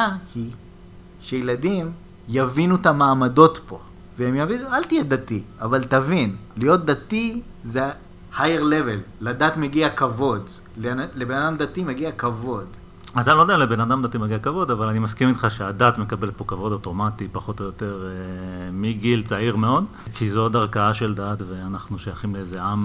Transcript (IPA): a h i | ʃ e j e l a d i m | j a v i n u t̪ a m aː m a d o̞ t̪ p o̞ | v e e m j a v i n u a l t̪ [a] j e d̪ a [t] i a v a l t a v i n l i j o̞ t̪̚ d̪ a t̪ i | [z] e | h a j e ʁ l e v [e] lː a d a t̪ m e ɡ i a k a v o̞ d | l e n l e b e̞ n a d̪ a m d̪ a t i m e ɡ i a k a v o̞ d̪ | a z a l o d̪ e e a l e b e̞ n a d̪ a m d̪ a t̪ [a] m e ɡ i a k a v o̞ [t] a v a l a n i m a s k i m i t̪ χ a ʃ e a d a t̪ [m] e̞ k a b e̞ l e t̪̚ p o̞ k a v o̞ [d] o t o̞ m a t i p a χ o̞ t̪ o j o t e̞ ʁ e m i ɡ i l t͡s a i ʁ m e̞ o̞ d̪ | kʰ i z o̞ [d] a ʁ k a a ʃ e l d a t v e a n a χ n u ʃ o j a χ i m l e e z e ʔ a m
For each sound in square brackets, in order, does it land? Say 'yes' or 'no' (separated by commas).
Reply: no, yes, yes, yes, no, no, yes, yes, yes